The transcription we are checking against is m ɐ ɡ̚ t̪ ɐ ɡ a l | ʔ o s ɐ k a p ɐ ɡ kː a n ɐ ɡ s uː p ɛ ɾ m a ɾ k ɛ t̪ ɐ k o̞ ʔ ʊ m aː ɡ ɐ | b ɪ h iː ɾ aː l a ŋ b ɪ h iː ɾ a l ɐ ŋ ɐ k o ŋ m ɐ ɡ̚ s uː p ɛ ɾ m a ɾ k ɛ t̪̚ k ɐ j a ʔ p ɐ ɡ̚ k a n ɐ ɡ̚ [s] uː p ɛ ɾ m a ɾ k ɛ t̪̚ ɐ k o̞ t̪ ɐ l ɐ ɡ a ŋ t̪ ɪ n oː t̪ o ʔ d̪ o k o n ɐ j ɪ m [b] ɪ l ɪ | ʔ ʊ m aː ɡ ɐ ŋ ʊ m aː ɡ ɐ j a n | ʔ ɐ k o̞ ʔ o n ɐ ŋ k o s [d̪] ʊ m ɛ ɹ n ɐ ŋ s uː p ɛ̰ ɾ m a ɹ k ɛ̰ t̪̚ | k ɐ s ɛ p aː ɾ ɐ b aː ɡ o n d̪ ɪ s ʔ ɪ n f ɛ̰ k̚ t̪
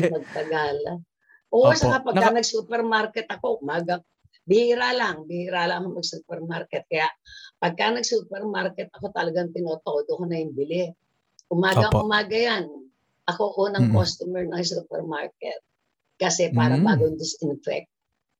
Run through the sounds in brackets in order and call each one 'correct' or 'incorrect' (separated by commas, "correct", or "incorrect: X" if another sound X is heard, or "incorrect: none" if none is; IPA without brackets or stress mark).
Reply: correct, correct, incorrect: t̪